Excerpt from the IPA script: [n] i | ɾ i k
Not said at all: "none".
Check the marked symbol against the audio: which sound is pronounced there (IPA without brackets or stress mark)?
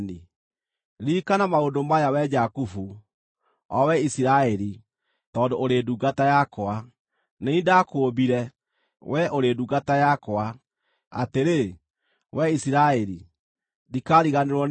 n